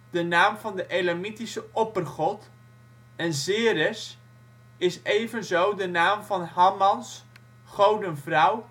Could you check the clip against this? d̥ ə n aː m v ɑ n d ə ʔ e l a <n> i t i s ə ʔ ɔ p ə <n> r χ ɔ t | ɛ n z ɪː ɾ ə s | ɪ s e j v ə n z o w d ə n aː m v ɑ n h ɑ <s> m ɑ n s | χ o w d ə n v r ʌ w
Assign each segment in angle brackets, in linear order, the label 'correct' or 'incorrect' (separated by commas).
incorrect, incorrect, incorrect